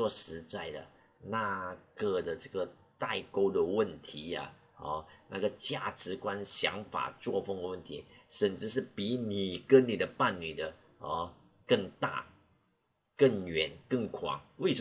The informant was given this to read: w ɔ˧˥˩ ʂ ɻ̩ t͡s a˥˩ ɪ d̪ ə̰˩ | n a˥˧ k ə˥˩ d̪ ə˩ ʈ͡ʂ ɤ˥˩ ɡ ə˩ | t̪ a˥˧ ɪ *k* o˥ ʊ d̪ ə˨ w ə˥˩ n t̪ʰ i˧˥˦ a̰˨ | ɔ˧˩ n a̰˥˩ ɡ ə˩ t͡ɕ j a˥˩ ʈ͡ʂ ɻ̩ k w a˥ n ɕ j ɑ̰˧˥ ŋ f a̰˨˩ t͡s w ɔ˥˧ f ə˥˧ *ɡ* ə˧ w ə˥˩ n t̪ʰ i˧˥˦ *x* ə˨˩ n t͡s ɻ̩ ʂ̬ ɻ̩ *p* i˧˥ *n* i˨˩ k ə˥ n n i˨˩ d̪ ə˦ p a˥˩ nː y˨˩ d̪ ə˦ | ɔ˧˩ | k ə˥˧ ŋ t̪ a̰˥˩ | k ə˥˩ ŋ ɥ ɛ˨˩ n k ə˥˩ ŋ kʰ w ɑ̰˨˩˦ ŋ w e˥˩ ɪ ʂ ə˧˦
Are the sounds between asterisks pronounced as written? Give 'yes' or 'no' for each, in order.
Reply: yes, no, no, yes, yes

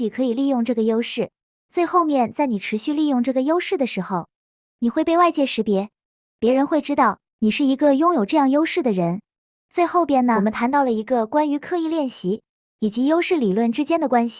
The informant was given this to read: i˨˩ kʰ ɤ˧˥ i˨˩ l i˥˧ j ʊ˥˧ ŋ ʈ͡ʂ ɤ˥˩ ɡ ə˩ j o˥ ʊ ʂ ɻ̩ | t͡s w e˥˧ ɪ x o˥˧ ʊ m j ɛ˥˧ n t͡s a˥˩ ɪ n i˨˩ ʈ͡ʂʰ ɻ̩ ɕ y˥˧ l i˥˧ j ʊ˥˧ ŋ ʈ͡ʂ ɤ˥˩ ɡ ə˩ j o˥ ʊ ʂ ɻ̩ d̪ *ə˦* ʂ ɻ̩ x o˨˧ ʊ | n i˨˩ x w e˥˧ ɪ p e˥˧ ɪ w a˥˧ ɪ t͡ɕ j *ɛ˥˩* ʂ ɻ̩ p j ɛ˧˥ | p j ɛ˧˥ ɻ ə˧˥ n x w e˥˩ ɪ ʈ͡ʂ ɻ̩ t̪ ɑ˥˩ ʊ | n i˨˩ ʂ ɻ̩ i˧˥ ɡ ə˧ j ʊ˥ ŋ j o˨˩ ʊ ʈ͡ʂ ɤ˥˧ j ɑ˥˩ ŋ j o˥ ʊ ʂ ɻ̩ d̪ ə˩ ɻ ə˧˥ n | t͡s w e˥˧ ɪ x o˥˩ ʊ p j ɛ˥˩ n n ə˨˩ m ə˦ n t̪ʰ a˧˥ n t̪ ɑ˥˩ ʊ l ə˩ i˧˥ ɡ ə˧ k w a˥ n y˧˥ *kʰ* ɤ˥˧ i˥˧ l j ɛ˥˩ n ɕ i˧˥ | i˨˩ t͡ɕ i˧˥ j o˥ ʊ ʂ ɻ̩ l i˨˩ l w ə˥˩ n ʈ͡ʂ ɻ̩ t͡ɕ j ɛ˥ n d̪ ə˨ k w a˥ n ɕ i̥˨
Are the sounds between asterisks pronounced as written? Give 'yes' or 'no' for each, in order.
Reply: no, yes, yes

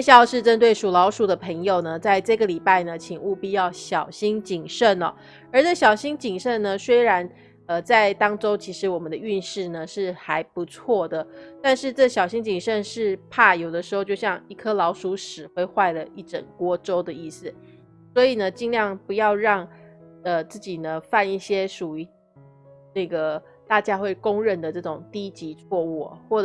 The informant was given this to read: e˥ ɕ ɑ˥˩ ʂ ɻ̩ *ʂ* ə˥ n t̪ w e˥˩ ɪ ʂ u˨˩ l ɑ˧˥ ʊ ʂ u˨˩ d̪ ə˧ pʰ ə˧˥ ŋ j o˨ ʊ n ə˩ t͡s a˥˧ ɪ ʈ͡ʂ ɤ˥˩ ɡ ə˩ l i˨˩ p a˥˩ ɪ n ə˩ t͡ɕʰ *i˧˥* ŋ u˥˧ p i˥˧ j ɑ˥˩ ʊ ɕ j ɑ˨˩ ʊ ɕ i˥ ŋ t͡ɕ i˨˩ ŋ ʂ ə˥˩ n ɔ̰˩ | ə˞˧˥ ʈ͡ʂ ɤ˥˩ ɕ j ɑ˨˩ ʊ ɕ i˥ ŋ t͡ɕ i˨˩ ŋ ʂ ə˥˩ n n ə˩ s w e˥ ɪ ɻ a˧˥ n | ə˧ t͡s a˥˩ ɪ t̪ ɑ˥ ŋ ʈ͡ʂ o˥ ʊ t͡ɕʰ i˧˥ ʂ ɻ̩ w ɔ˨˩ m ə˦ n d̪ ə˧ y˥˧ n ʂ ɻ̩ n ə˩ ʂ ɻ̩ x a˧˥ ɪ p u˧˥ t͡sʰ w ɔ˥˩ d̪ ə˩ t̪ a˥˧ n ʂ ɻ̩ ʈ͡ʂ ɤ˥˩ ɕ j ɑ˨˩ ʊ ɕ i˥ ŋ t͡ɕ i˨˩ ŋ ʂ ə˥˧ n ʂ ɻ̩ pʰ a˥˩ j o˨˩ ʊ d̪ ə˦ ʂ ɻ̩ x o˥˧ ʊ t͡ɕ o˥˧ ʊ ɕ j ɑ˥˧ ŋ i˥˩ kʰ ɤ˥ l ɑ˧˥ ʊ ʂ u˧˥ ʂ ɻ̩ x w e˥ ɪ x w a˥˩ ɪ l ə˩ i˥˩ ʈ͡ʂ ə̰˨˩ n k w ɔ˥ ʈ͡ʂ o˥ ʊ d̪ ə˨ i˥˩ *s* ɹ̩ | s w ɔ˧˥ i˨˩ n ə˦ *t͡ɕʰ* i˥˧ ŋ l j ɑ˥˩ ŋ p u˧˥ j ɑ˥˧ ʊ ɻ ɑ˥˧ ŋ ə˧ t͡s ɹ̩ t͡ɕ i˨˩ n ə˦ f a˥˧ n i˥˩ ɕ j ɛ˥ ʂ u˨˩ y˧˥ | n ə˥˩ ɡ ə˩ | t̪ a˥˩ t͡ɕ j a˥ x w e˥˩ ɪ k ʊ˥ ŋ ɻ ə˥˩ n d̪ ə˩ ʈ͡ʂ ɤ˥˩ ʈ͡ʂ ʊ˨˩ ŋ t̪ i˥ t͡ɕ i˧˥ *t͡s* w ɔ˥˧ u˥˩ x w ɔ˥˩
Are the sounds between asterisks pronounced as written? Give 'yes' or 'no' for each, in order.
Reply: no, no, yes, no, no

